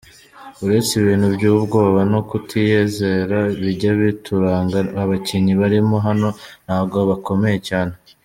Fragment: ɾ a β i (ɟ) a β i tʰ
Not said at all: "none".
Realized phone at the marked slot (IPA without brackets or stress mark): ɟ